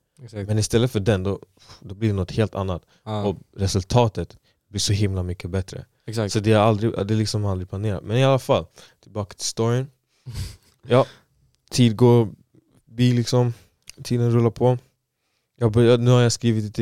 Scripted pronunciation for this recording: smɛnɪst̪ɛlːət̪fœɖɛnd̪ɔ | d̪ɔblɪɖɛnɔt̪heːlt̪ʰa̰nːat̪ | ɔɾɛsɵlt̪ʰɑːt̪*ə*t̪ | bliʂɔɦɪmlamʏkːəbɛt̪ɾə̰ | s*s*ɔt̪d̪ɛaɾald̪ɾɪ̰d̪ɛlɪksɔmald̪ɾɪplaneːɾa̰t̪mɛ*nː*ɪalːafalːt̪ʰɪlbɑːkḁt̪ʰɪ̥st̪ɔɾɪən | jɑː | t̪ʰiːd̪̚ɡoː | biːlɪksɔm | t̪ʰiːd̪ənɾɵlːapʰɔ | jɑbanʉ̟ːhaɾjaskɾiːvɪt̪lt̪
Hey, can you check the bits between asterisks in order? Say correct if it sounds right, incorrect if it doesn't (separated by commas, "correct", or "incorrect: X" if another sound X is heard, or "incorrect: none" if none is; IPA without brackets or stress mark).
correct, correct, incorrect: n